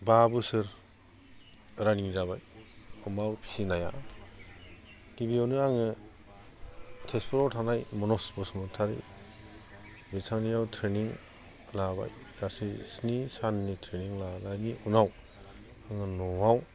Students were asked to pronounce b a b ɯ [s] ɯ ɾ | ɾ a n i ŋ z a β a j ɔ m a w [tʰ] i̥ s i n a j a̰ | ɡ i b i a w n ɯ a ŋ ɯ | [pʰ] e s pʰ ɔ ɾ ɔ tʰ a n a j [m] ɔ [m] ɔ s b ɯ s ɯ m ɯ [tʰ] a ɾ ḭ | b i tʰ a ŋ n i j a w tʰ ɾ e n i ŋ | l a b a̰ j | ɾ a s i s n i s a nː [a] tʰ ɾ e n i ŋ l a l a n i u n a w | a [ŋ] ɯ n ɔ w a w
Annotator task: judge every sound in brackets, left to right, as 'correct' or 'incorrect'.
correct, incorrect, incorrect, correct, incorrect, correct, incorrect, correct

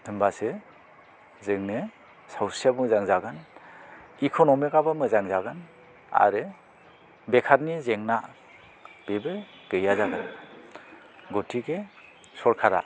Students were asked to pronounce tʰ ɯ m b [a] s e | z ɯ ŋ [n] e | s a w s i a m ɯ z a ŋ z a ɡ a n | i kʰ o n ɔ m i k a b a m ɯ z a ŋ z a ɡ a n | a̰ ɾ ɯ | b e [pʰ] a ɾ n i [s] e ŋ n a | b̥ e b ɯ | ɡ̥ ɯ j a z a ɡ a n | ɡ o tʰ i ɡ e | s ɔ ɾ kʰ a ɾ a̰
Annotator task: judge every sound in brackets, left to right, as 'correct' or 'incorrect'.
correct, correct, incorrect, incorrect

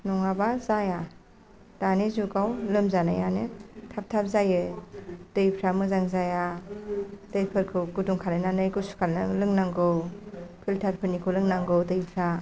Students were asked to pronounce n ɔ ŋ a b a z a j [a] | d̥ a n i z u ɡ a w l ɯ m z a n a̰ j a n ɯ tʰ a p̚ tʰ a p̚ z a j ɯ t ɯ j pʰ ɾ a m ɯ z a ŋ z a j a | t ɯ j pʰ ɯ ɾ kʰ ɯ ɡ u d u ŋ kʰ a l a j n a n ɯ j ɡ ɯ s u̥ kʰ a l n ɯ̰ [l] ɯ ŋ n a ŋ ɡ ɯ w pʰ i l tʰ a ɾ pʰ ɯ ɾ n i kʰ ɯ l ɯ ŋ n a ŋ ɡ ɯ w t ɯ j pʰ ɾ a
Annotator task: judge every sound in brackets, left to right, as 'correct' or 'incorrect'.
correct, correct

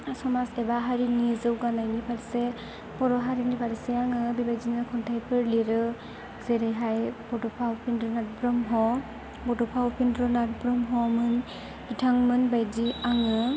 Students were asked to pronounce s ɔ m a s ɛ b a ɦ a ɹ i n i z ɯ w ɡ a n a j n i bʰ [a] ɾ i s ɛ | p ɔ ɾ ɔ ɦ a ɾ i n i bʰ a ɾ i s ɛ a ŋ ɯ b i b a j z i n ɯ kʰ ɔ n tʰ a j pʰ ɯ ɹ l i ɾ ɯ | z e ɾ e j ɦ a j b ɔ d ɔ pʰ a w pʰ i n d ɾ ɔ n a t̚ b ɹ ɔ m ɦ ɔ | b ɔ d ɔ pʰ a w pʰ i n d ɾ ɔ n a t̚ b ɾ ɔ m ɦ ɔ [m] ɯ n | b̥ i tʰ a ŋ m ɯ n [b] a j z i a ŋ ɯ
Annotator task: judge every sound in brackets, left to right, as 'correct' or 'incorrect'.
correct, correct, correct

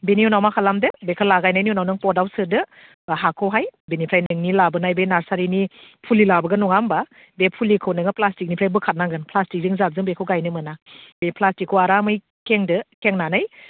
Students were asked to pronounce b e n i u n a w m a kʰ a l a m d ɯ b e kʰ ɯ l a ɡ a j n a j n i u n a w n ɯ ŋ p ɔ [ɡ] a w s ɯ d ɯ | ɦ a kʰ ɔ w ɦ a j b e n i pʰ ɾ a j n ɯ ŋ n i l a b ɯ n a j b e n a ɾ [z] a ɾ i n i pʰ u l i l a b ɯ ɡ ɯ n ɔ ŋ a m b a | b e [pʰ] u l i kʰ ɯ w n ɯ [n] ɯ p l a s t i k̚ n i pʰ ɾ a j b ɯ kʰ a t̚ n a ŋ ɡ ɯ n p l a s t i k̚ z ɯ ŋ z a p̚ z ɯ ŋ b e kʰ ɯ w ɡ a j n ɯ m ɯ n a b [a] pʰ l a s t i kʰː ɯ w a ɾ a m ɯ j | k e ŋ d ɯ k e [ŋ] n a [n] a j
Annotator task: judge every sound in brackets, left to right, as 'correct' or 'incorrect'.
incorrect, incorrect, correct, incorrect, incorrect, correct, correct

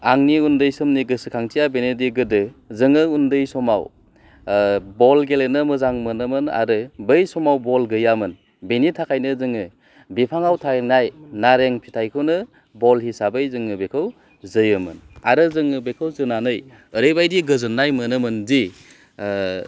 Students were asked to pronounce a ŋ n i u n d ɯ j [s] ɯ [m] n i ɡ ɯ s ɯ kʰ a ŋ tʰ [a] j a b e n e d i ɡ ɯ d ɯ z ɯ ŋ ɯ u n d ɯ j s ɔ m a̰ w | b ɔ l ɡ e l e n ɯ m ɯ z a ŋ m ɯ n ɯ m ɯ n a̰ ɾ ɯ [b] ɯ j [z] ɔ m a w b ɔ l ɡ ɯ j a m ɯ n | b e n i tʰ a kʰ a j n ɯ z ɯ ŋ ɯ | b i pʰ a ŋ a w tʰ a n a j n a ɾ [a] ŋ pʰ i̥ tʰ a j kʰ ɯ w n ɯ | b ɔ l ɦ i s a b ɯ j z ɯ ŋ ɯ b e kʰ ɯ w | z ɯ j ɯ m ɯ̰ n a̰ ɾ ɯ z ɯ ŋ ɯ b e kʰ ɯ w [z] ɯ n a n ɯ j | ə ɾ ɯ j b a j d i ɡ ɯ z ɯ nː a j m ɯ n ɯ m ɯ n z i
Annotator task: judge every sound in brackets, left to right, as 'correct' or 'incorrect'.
correct, correct, incorrect, correct, incorrect, incorrect, correct

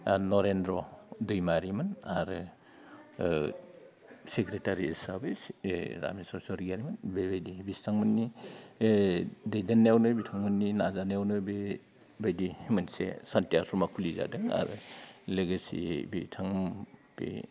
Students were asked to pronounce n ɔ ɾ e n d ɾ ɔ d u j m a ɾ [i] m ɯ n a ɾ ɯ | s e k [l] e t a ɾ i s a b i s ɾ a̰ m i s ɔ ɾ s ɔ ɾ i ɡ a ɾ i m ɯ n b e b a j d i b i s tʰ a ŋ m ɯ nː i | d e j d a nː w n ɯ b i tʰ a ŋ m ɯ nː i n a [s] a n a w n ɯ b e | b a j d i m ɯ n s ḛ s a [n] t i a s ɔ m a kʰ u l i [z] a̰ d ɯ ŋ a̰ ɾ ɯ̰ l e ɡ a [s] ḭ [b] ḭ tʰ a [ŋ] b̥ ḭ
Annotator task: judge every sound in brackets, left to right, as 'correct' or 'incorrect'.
correct, incorrect, incorrect, correct, correct, correct, correct, correct

